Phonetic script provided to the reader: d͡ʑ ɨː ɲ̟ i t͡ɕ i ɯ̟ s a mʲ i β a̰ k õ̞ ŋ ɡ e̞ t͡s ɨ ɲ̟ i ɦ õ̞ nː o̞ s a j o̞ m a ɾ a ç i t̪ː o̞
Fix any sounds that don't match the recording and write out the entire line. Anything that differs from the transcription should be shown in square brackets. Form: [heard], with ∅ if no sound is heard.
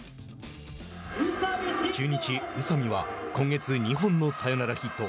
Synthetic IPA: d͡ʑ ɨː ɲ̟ i t͡ɕ i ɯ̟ s a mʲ i β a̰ k õ̞ ŋ ɡ e̞ t͡s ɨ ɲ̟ i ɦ õ̞ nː o̞ s a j o̞ [n] a ɾ a ç i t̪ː o̞